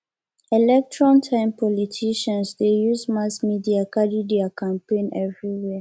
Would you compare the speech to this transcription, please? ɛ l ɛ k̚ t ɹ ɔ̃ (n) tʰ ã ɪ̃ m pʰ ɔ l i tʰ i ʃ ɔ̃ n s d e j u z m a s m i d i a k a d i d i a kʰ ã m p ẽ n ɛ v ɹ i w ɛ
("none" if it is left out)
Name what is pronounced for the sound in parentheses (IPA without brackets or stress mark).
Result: n